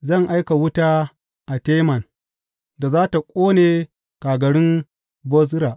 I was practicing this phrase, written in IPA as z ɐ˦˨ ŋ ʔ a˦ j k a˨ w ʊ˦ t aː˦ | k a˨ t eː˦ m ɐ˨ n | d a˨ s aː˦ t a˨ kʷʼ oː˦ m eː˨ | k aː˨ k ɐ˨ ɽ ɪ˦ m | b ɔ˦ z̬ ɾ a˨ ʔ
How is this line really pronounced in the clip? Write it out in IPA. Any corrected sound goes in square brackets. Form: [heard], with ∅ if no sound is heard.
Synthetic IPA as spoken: z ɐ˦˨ ŋ ʔ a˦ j k a˨ w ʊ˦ t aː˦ | [ʔ] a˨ t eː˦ m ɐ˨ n | d a˨ [z] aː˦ t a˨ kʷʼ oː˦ [n] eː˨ | k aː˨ [ɡ] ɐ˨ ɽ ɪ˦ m | b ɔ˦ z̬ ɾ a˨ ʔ